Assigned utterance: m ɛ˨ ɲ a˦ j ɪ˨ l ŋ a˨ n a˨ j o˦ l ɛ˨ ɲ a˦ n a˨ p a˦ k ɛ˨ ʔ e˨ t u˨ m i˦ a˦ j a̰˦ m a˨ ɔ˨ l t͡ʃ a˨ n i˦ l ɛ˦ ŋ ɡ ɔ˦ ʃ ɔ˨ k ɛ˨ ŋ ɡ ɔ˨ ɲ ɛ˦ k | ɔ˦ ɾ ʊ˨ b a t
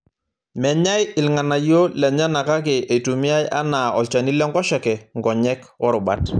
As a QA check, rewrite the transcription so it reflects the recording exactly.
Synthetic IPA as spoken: m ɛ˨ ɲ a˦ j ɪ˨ l ŋ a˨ n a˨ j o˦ l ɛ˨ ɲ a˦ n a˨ k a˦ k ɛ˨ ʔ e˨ t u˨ m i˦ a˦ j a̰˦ n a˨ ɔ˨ l t͡ʃ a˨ n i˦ l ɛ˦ ŋ ɡ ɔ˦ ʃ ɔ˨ k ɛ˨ ŋ ɡ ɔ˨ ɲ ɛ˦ k | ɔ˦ ɾ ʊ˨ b a t